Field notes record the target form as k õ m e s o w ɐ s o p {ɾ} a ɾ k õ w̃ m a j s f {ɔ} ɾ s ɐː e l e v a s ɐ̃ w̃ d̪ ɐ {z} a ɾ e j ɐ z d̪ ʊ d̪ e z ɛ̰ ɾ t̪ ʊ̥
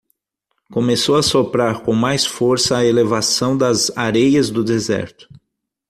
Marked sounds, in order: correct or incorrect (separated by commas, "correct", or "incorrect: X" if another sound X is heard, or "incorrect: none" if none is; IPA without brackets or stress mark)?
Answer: correct, incorrect: o, correct